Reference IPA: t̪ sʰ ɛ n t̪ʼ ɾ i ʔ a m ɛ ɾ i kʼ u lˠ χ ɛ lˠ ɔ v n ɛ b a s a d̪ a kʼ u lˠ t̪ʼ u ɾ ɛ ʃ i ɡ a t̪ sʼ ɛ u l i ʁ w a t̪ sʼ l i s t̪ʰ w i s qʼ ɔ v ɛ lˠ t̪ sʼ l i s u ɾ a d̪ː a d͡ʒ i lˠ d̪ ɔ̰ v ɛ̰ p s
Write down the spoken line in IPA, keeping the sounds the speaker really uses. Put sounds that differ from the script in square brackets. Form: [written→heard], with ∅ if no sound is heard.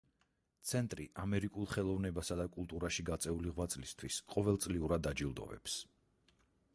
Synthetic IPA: t̪ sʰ ɛ n t̪ʼ ɾ i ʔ a m ɛ ɾ i kʼ u lˠ χ ɛ lˠ ɔ v n ɛ b a s a d̪ a kʼ u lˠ t̪ʼ u ɾ [ɛ→a] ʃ i ɡ a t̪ sʼ ɛ u l i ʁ w a t̪ sʼ l i s t̪ʰ w i s qʼ ɔ v ɛ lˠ t̪ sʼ l i [s→∅] u ɾ a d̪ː a d͡ʒ i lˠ d̪ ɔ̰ v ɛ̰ p s